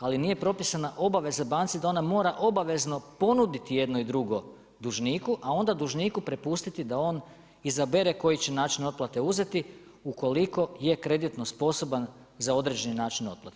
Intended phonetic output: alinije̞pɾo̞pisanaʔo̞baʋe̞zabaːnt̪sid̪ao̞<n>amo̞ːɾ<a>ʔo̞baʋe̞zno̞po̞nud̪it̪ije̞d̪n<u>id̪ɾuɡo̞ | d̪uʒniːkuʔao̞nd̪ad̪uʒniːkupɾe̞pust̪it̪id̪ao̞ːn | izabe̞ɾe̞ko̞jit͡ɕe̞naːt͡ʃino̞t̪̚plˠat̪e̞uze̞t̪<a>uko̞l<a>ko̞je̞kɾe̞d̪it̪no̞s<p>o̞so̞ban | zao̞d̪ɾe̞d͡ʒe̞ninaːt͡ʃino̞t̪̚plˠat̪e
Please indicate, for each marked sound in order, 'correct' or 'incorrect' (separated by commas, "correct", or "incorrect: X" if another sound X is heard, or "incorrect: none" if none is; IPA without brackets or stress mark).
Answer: correct, correct, incorrect: o, incorrect: i, incorrect: i, correct